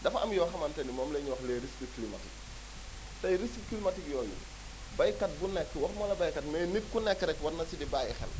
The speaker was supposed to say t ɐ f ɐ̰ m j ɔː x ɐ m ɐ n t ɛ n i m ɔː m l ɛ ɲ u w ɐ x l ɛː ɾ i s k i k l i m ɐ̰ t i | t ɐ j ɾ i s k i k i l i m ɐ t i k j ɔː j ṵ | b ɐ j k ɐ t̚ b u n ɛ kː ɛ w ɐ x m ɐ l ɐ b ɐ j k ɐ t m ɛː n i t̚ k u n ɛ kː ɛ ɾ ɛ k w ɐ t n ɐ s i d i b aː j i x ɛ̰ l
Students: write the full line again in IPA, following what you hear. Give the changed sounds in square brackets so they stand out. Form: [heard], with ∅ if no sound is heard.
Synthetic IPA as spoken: [d] ɐ f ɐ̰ m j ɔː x ɐ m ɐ n t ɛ n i m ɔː m l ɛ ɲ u w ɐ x l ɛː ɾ i s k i k l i m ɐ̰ t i | t ɐ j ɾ i s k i k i l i m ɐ t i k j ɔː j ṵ | b ɐ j k ɐ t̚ b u n ɛ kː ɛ w ɐ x m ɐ l ɐ b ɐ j k ɐ t m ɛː n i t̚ k u n ɛ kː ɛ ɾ ɛ k w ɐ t n ɐ s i d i b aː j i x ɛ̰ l